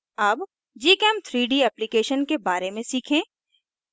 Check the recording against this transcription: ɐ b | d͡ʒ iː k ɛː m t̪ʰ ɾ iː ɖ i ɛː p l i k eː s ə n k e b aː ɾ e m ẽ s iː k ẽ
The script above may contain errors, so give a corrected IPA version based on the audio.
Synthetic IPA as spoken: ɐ b | d͡ʒ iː k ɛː m t̪ʰ ɾ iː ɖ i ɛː p l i k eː ʃ ə n k e b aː ɾ e m ẽ s iː kʰ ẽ

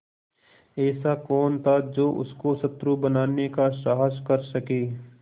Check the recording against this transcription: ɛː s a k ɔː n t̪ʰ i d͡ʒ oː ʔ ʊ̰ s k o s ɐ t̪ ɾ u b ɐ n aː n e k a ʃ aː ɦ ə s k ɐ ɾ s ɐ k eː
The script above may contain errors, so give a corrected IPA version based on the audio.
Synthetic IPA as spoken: ɛː s a k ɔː n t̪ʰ a d͡ʒ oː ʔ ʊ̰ s k o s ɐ t̪ ɾ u b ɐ n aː n e k a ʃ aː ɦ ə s k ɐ ɾ s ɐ k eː

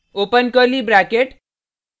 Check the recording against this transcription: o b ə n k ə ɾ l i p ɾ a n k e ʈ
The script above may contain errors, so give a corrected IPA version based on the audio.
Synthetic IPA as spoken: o p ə n k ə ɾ l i b ɾ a k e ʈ

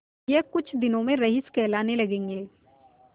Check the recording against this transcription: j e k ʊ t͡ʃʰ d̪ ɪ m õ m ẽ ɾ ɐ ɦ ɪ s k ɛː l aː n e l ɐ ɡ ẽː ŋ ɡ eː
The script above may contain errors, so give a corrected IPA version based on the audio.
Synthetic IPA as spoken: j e k ʊ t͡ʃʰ d̪ ɪ n õ m ẽ ɾ ɐ ɦ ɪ s k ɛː l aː n e l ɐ ɡ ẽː ŋ ɡ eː

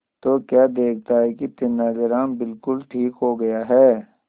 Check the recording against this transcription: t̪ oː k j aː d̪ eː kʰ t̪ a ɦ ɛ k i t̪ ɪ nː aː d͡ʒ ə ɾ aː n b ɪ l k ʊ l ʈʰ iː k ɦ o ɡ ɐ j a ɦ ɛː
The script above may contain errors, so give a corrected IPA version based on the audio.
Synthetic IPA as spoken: t̪ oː k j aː d̪ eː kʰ t̪ a ɦ ɛ k i t̪ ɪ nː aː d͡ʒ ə ɾ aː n b ɪ l k ʊ l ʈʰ iː k ɦ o ɡ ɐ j a ɦ ɛː

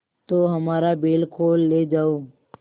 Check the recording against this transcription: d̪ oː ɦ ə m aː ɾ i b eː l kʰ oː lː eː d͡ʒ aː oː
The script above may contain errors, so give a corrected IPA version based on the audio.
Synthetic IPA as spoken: t̪ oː ɦ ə m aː ɾ a b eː l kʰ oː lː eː d͡ʒ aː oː

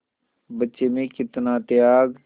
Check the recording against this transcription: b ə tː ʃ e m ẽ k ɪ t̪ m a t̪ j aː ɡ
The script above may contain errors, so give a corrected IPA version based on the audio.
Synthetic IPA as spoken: b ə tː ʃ e m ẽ k ɪ t̪ n a t̪ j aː ɡ

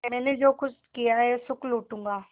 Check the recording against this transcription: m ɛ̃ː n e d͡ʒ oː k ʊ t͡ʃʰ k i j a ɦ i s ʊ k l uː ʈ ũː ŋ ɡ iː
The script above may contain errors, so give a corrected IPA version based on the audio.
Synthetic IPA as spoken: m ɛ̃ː n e d͡ʒ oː k ʊ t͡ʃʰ k i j a ɦ ɛ s ʊ k l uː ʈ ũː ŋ ɡ aː

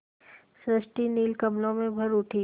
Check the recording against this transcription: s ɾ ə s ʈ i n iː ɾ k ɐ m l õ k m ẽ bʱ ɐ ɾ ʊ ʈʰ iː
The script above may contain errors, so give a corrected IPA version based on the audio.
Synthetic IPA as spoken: s ɾ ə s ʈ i n iː l k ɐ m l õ m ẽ bʱ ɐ ɾ ʊ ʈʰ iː

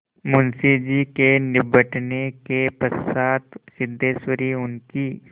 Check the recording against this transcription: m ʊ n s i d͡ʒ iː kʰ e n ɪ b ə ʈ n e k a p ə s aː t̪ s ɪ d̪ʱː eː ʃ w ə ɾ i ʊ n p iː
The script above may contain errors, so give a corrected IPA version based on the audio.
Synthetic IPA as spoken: m ʊ n s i d͡ʒ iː k e n ɪ b ə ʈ n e k e p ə s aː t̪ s ɪ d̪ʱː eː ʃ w ə ɾ i ʊ n k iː

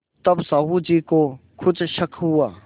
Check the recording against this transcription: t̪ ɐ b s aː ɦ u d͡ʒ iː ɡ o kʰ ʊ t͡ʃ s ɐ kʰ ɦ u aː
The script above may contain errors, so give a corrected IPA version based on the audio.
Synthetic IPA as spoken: t̪ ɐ b s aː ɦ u d͡ʒ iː k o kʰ ʊ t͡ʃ ʃ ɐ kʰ ɦ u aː

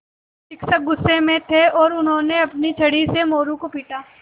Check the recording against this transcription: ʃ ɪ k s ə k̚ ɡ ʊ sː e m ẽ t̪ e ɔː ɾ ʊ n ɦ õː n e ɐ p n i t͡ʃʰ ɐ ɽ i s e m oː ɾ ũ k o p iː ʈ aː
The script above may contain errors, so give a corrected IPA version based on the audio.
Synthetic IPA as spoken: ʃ ɪ k s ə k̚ ɡ ʊ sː e m ẽ t̪ʰ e ɔː ɾ ʊ n ɦ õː n e ɐ p n i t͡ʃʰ ɐ ɽ i s e m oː ɾ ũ k o p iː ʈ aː

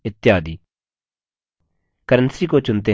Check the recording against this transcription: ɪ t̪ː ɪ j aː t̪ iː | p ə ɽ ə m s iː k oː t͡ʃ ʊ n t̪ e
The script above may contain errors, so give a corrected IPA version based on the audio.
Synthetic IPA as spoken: ɪ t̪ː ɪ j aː d̪ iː | k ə ɾ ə n s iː k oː t͡ʃ ʊ n t̪ e

